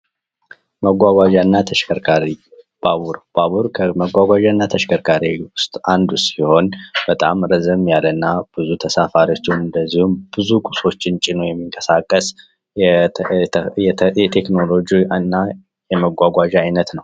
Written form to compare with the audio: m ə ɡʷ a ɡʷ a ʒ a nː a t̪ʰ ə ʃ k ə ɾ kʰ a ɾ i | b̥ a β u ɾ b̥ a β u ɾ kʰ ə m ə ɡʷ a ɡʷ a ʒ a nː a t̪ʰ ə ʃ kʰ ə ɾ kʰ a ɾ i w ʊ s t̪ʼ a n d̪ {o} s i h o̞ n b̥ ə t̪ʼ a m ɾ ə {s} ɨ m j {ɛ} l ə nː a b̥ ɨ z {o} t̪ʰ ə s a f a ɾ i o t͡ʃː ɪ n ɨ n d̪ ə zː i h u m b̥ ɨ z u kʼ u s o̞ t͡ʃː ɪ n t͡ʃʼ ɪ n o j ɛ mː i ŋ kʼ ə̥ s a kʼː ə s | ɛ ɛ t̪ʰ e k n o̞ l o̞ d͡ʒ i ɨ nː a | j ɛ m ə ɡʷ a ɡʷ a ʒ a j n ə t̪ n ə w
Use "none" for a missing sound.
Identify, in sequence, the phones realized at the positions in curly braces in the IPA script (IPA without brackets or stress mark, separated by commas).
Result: u, z, a, u